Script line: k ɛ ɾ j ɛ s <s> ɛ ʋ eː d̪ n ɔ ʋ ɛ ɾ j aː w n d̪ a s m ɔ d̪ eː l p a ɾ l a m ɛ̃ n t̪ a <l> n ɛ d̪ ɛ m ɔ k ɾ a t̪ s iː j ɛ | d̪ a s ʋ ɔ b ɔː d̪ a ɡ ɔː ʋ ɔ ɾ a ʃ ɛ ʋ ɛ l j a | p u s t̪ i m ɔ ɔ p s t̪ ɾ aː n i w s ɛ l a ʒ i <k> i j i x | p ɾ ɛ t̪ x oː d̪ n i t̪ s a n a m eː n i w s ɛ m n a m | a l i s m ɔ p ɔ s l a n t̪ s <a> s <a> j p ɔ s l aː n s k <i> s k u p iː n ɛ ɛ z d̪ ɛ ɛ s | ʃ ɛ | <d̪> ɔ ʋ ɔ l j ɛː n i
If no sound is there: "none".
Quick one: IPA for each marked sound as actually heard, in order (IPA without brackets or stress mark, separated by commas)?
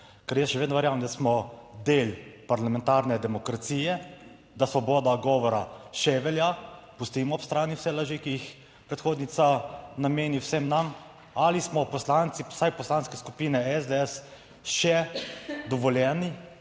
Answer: ʃ, ɾ, k, i, a, ɛ, d̪